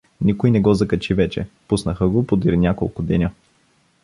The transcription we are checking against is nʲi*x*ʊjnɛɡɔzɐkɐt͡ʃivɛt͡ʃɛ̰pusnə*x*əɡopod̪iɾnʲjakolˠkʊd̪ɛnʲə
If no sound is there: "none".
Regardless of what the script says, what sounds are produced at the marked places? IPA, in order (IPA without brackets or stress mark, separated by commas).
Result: k, x